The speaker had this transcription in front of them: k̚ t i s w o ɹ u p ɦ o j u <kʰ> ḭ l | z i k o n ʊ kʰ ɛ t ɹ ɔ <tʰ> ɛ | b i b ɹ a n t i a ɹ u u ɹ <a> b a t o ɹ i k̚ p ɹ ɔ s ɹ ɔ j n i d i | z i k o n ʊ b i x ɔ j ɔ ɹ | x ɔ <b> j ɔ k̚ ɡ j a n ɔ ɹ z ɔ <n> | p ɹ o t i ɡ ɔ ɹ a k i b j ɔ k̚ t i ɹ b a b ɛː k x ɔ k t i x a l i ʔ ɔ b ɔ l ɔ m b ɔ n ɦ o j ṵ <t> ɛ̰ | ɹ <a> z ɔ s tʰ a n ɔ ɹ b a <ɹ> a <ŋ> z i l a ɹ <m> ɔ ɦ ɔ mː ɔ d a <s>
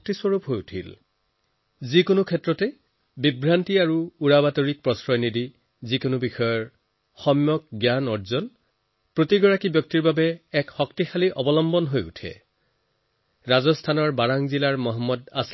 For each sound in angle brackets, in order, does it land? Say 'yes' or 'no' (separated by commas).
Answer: no, no, yes, no, yes, no, yes, yes, yes, yes, yes